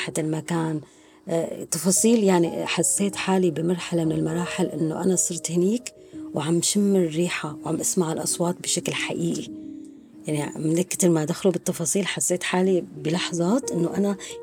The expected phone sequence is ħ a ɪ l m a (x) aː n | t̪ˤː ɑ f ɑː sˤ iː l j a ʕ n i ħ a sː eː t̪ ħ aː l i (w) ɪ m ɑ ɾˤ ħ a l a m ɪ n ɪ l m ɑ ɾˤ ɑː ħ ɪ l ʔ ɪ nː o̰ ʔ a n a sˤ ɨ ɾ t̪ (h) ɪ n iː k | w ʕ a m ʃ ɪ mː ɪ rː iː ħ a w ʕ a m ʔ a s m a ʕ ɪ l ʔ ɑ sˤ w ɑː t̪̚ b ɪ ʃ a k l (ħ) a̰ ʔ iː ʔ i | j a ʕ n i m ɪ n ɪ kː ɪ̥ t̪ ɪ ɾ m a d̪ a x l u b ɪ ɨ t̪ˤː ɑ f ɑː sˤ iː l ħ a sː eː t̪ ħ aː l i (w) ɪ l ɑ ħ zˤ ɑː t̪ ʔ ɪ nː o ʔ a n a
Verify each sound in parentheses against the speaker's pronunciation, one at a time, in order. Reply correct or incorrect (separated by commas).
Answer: incorrect, incorrect, correct, correct, incorrect